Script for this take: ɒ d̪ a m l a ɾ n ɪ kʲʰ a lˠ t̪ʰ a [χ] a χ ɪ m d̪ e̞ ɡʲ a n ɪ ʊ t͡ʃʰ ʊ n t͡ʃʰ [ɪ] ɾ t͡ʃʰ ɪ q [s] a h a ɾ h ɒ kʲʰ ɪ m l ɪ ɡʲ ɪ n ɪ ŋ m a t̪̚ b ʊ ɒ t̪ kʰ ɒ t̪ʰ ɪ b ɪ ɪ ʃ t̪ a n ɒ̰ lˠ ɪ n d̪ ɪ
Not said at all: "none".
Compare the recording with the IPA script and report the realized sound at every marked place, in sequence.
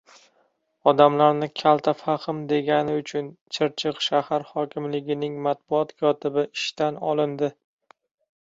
f, ɪ, ʃ

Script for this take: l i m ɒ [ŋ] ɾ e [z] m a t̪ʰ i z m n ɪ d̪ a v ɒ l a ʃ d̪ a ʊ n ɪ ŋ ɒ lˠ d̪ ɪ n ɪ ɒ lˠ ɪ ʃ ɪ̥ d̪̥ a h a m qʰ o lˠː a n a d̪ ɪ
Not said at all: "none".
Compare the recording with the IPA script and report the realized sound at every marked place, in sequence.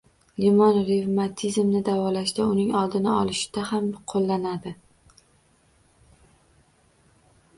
n, v

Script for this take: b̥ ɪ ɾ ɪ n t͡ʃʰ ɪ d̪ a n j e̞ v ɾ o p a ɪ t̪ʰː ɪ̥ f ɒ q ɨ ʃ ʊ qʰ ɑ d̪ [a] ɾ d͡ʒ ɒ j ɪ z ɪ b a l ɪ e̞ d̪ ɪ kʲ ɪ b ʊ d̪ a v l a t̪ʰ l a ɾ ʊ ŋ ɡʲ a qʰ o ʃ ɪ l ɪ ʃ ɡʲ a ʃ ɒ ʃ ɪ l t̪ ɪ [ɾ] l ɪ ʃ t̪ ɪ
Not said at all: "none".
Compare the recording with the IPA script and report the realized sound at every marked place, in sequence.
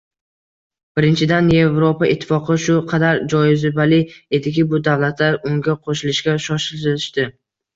a, none

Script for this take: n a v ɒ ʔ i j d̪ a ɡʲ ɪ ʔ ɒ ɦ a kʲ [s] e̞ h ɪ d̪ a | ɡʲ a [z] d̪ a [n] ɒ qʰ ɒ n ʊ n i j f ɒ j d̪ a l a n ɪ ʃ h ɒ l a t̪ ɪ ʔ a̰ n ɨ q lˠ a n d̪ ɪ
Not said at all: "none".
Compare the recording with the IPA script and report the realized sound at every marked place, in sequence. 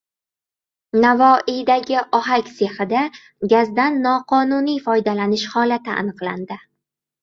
s, z, nː

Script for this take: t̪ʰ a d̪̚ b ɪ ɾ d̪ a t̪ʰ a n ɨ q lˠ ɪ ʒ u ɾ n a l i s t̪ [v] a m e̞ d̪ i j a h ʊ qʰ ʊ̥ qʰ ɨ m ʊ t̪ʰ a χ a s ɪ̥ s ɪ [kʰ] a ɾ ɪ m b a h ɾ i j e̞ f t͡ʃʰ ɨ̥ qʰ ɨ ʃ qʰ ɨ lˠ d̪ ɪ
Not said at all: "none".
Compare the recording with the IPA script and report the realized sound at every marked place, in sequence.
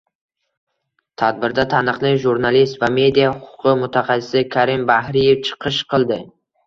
v, kʰ

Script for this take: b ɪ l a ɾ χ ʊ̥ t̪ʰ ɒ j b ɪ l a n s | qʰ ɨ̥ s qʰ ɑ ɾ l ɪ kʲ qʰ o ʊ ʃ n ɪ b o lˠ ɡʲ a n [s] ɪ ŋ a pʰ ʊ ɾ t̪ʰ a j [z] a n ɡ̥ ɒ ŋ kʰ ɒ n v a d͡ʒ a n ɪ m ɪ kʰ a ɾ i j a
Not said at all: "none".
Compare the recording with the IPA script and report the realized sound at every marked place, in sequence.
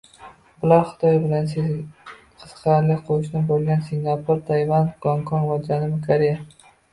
s, v

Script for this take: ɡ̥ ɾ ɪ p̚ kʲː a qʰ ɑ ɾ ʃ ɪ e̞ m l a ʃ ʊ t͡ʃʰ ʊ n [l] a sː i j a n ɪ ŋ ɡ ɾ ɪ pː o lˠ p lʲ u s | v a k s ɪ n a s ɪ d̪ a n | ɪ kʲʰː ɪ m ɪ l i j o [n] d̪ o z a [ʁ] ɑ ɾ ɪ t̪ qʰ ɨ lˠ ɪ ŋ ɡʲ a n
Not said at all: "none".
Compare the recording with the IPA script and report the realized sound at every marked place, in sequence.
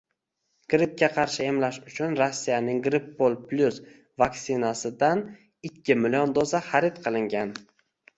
ɾ, n, χ

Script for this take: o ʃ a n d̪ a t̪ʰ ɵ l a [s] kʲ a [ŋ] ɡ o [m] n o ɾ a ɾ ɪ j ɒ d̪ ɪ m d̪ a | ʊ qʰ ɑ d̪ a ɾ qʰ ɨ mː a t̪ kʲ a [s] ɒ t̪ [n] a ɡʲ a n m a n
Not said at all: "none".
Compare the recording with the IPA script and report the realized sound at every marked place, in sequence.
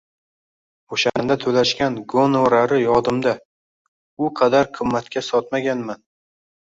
ʃ, n, none, s, m

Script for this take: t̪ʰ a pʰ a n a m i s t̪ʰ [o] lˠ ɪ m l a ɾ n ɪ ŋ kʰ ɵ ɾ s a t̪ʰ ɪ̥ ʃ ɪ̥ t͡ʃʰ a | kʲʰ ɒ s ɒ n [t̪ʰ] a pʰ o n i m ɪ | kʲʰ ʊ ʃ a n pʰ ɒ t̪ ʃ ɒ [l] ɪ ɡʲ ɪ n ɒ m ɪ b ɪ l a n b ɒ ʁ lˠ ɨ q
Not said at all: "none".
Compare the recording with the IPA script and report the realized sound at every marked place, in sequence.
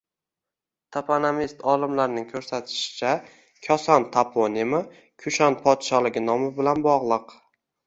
ɒ, t̪ʰ, l

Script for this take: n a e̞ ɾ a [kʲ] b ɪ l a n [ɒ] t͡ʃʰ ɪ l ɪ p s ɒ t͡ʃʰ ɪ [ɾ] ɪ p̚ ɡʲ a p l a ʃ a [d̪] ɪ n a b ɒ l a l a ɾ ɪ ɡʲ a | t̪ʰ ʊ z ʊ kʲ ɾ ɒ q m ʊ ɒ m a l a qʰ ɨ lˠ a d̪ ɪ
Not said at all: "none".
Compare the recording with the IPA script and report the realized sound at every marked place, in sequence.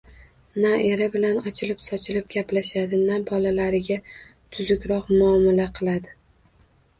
none, ɒ, l, d̪

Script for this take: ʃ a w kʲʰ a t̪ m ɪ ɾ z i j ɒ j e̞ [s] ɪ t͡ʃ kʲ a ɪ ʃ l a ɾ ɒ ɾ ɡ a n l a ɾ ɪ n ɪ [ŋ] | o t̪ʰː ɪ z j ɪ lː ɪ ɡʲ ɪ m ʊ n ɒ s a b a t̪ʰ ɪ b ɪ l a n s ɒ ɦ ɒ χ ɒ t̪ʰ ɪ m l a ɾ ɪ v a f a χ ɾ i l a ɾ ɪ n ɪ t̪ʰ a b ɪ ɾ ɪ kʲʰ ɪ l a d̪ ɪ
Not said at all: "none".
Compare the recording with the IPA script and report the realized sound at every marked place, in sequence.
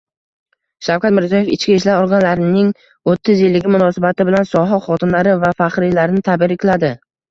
f, ŋ

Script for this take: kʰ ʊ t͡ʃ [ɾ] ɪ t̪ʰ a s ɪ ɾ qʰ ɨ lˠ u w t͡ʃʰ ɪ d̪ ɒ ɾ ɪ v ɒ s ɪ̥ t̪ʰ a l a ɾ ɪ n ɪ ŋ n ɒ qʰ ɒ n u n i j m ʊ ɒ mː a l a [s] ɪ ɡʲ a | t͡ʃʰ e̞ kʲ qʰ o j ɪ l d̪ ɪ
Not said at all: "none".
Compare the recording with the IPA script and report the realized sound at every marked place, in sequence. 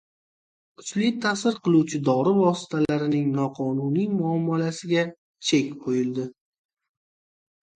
l, s

